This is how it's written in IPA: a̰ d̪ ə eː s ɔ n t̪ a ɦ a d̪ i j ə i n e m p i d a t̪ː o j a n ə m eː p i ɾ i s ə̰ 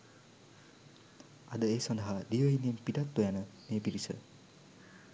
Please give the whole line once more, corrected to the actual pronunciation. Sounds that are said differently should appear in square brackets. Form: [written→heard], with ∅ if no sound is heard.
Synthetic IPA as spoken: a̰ d̪ ə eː s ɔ n [t̪→d̪] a ɦ a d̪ i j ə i n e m p i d a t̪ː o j a n ə m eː p i ɾ i s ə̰

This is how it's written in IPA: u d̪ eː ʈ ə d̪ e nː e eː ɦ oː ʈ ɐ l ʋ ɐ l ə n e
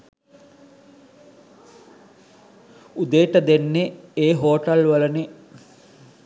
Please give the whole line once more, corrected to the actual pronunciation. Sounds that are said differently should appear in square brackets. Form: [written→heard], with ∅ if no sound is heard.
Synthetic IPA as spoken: u d̪ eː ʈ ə d̪ e nː e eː ɦ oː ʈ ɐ l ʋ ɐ l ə n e

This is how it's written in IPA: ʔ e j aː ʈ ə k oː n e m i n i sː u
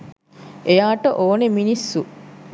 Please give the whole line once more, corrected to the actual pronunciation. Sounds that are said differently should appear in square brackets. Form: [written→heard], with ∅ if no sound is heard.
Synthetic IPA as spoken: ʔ e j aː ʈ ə [k→ʔ] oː n e m i n i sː u

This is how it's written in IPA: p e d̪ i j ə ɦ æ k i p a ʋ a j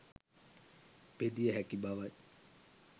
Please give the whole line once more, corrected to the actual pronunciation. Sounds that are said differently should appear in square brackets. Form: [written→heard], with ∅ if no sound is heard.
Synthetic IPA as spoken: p e d̪ i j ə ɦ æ k i [p→b] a ʋ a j

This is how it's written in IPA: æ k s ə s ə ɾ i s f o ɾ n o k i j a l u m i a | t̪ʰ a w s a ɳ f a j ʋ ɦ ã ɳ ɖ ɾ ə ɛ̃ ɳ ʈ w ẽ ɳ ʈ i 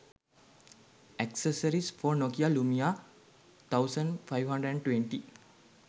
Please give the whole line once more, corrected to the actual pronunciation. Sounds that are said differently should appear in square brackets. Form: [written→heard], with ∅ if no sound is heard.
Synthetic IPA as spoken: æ k s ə s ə ɾ i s f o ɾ n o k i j a l u m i a | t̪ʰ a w s [a→ə] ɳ f a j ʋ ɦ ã ɳ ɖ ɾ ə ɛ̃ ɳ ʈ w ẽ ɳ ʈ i

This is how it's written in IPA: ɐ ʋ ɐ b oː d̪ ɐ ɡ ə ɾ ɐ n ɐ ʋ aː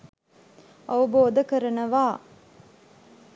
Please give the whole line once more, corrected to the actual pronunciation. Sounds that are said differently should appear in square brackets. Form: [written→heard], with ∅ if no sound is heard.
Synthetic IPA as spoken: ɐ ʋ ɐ b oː d̪ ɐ [ɡ→k] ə ɾ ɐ n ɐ ʋ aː

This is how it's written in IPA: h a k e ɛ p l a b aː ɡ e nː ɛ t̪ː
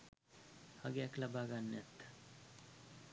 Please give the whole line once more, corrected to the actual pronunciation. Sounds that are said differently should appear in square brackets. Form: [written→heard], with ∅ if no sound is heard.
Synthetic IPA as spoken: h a [k→ɡ] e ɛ [p→k] l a b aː ɡ [e→a] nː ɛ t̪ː

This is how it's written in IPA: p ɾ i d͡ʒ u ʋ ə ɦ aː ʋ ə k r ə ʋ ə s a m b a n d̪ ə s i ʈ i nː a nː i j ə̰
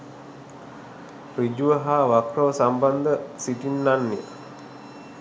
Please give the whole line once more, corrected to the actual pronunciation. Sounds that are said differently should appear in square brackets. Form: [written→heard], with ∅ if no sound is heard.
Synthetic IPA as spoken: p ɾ i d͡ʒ u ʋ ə ɦ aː ʋ [ə→a] k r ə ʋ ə s a m b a n d̪ ə s i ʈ i nː a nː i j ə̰

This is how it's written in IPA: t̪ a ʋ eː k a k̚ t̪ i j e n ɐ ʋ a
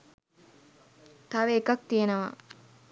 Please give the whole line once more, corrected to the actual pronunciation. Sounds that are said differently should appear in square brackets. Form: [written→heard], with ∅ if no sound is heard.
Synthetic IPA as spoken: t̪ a ʋ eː k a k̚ t̪ i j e n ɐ ʋ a

